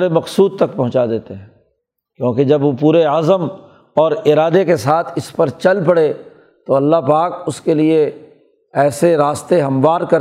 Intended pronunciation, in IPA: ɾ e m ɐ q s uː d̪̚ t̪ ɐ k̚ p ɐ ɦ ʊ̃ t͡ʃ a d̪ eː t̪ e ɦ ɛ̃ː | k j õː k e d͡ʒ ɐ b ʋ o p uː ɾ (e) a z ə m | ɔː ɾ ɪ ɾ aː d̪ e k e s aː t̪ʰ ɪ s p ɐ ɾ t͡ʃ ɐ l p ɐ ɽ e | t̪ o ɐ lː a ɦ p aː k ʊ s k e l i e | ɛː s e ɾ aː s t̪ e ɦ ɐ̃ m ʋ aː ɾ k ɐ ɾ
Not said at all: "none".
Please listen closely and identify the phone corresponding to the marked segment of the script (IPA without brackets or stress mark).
e